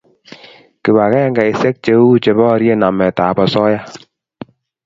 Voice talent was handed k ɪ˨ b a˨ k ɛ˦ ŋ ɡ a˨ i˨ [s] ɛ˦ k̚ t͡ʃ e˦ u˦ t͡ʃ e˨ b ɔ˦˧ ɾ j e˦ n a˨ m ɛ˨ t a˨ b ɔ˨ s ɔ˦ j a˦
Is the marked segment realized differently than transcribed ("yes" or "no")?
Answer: no